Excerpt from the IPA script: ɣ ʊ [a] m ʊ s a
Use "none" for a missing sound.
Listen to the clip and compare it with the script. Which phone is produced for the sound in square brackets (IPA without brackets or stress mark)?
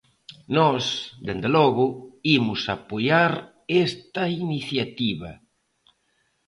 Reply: i